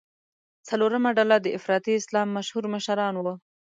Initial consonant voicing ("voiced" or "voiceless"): voiceless